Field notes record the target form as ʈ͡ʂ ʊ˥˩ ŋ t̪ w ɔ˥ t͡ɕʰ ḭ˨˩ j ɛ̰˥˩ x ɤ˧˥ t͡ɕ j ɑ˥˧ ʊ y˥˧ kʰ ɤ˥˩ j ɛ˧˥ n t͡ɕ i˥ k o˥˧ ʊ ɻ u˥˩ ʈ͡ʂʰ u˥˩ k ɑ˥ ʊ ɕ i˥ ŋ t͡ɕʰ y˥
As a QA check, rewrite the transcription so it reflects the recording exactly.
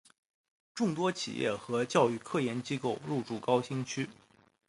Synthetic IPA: ʈ͡ʂ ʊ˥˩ ŋ t̪ w ɔ˥ t͡ɕʰ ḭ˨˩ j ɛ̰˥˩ x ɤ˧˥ t͡ɕ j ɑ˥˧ ʊ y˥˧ kʰ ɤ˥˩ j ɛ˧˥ n t͡ɕ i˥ k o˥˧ ʊ ɻ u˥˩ ʈ͡ʂ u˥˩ k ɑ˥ ʊ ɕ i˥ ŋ t͡ɕʰ y˥